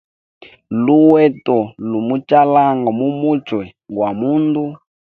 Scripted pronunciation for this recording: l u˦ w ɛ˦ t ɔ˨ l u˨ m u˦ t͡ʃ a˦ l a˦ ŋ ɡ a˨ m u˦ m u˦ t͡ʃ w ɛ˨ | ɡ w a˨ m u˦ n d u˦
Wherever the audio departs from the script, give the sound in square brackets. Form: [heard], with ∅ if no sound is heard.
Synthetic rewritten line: l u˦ w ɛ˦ t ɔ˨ l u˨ m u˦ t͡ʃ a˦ l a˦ ŋ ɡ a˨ m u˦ m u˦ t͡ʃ w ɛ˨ | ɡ w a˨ m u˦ n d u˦